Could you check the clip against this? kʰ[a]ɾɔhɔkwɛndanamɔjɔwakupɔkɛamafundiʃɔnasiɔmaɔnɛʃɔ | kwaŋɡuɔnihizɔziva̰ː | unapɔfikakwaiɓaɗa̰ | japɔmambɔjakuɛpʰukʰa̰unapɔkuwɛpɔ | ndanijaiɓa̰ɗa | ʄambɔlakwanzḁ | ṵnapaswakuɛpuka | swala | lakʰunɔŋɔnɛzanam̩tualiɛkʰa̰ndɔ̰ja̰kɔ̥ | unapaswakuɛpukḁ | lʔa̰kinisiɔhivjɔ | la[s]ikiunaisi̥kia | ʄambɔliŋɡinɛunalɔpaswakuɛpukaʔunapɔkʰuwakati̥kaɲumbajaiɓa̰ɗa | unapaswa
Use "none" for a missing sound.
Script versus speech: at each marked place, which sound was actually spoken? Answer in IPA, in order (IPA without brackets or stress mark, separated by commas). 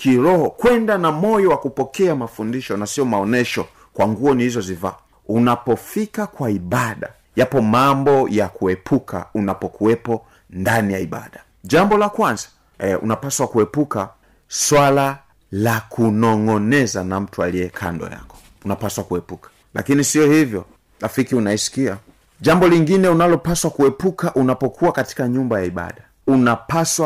i, f